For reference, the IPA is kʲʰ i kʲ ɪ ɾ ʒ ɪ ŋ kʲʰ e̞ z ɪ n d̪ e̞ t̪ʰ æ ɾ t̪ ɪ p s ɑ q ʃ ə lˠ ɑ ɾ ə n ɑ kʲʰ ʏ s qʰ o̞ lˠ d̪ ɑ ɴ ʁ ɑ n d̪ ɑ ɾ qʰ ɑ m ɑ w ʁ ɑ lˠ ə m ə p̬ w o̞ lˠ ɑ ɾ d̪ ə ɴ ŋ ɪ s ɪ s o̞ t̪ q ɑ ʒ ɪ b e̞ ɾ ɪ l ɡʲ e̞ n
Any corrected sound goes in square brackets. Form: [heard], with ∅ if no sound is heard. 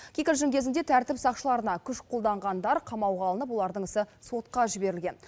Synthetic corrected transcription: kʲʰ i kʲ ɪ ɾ ʒ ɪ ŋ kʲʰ e̞ z ɪ n d̪ e̞ t̪ʰ æ ɾ t̪ ɪ p s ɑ q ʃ ə lˠ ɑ ɾ ə n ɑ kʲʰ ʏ [ʃ] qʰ o̞ lˠ d̪ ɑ ɴ ʁ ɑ n d̪ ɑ ɾ qʰ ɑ m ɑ w ʁ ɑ lˠ ə [n] ə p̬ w o̞ lˠ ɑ ɾ d̪ ə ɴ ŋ ɪ s ɪ s o̞ t̪ q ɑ ʒ ɪ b e̞ ɾ ɪ l ɡʲ e̞ n